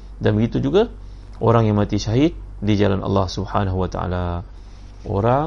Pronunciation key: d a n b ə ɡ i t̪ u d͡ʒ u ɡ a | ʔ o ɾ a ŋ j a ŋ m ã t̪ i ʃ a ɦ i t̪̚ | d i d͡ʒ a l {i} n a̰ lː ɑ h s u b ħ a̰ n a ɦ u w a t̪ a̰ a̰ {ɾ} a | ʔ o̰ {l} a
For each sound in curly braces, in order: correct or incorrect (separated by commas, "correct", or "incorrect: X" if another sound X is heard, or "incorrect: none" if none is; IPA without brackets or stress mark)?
incorrect: a, incorrect: l, incorrect: ɾ